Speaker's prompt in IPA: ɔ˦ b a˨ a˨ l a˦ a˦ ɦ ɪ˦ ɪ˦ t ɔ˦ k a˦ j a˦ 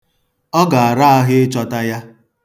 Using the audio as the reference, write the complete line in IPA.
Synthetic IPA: ɔ˦ ɡ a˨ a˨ ɾ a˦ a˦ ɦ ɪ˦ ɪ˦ t͡ʃ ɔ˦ t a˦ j a˦